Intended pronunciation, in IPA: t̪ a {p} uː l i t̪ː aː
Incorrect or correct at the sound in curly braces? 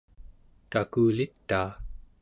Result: incorrect: k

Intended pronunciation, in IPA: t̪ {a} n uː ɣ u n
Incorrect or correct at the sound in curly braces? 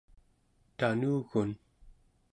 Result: correct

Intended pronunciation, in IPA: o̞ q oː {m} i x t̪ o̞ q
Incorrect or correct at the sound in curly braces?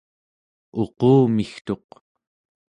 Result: correct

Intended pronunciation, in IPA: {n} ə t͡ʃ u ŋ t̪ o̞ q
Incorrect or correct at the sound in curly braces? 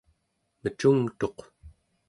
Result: incorrect: m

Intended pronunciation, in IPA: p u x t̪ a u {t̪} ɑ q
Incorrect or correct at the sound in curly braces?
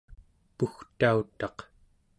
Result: correct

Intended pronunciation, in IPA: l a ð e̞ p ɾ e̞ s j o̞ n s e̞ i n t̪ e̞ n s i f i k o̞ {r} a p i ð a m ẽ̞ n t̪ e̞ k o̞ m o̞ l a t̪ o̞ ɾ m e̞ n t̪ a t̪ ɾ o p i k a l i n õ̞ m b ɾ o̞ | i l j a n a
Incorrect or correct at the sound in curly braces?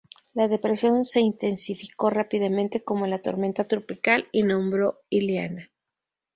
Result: correct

